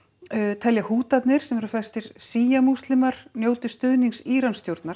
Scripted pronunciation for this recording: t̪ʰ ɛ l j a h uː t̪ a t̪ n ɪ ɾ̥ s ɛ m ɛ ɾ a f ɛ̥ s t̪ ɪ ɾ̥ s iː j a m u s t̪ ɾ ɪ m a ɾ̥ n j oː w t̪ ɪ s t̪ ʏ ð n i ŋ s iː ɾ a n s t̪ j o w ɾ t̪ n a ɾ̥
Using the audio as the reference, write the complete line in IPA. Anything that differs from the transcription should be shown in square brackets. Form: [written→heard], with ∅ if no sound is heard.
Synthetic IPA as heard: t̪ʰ ɛ l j a h uː t̪ a t̪ n ɪ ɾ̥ s ɛ m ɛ ɾ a f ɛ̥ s t̪ ɪ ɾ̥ s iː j a m u s t̪ [ɾ→l] ɪ m a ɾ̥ n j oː w t̪ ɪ s t̪ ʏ ð n i ŋ s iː ɾ a n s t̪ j o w ɾ t̪ n a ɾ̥